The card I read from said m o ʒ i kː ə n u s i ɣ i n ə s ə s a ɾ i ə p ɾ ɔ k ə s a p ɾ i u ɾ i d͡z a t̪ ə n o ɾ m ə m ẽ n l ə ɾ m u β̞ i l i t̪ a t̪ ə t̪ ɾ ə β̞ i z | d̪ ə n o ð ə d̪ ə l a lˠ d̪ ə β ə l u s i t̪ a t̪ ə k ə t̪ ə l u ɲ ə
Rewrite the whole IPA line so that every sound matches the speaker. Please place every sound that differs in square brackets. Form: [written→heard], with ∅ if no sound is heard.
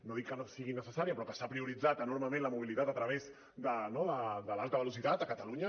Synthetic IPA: [m→n] o [ʒ→ð] i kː ə n [u→o] s i ɣ i n ə s ə s a ɾ i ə p ɾ ɔ k ə s a p ɾ i u ɾ i d͡z a t̪ ə n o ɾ m ə m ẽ n l ə [ɾ→∅] m u β̞ i l i t̪ a t̪ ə t̪ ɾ ə β̞ [i→e] z | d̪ ə n o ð ə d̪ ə l a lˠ [d̪→t̪] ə β ə l u s i t̪ a t̪ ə k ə t̪ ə l u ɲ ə